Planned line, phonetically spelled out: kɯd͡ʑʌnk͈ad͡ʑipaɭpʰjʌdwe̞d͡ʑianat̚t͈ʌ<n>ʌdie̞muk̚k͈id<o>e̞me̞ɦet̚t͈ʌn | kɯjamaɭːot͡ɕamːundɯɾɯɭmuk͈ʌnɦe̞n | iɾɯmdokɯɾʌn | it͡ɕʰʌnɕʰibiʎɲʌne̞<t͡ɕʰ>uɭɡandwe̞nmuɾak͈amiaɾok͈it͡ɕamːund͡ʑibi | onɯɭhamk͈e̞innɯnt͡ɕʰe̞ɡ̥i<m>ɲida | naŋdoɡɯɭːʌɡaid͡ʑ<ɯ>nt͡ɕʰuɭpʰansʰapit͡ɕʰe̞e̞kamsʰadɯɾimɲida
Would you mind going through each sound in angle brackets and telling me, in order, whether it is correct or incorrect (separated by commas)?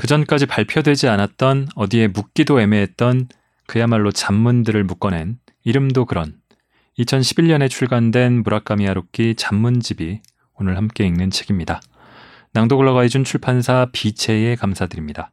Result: correct, correct, correct, correct, incorrect